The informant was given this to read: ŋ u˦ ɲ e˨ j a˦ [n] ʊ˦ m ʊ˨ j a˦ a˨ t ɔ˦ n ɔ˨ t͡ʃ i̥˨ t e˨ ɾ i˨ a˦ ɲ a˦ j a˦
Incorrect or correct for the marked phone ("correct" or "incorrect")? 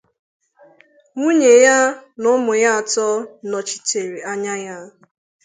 correct